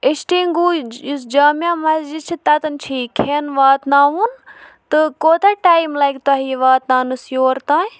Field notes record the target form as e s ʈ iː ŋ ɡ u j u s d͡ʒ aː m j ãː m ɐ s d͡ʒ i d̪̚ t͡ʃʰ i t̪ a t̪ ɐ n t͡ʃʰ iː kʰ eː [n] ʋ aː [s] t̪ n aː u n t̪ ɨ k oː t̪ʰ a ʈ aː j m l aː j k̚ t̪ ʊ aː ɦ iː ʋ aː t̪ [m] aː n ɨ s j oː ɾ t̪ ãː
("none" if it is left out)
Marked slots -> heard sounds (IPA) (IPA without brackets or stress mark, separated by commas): n, none, n